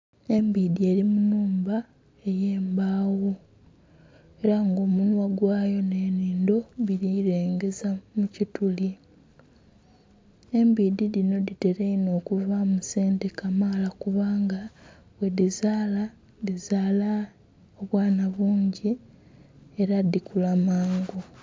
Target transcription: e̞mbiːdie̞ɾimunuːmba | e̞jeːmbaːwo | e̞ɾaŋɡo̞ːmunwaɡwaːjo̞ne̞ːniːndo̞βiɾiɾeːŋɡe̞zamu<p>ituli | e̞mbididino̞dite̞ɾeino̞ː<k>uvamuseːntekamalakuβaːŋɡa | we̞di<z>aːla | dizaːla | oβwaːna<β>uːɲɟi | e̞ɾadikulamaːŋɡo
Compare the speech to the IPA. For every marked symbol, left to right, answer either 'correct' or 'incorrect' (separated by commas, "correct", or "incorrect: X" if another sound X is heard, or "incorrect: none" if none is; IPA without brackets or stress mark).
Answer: incorrect: c, correct, correct, correct